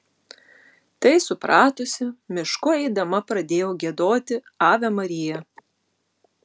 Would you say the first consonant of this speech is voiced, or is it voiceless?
voiceless